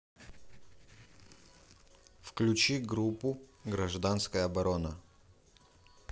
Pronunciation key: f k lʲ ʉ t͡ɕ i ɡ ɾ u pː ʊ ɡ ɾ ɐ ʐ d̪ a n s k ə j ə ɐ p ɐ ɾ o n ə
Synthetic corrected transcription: f k lʲ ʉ t͡ɕ i ɡ ɾ u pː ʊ ɡ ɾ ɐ ʐ d̪ a n s k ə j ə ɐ b ɐ ɾ o n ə